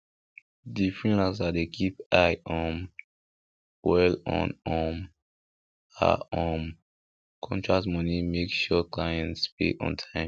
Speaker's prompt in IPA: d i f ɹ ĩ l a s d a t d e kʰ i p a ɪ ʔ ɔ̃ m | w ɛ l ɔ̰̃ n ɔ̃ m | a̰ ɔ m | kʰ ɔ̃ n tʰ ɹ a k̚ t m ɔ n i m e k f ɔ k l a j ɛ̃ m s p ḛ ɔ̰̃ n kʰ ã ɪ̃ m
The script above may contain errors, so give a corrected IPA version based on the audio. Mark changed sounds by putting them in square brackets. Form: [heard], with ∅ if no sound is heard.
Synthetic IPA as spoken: d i f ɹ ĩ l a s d a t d e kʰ i p a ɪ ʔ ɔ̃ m | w ɛ l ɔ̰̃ n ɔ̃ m | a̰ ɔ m | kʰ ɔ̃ n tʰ ɹ a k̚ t m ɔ n i m e k [ʃ] ɔ k l a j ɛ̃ [n] s p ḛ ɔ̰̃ n [tʰ] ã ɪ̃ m